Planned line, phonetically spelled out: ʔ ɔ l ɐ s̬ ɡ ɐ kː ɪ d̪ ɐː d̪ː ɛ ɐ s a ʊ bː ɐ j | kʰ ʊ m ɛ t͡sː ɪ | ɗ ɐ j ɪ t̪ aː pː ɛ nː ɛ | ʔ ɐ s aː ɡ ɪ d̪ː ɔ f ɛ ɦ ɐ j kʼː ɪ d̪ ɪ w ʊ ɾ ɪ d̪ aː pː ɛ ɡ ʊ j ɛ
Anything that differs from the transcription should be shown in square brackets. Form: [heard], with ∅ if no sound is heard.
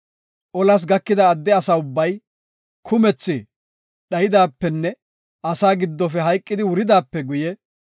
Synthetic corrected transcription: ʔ ɔ l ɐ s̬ ɡ ɐ kː ɪ d̪ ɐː d̪ː ɛ ɐ s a ʊ bː ɐ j | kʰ ʊ m ɛ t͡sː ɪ | ɗ ɐ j ɪ [d̪] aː pː ɛ nː ɛ | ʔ ɐ s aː ɡ ɪ d̪ː ɔ f ɛ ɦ ɐ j kʼː ɪ d̪ ɪ w ʊ ɾ ɪ d̪ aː pː ɛ ɡ ʊ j ɛ